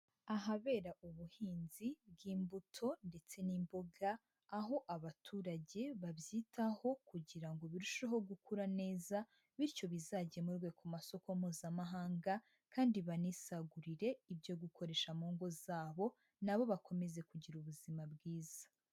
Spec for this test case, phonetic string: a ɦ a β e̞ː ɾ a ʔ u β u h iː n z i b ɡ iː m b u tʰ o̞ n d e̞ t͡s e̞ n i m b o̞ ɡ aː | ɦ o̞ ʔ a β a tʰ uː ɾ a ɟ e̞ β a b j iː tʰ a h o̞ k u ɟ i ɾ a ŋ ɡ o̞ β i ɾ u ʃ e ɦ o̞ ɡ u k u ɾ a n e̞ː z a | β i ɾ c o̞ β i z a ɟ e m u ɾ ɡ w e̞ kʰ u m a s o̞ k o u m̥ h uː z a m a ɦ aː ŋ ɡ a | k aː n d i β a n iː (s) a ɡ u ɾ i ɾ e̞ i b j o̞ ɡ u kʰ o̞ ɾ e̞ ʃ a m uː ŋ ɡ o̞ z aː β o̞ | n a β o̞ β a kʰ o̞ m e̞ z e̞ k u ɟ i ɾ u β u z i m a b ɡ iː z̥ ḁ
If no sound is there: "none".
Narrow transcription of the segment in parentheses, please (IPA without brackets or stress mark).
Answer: s